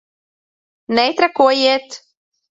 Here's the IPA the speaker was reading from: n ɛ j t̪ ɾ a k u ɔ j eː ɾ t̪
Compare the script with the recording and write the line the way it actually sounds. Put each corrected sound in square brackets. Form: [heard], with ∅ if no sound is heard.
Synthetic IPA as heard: n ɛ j t̪ ɾ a k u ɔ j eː [∅] t̪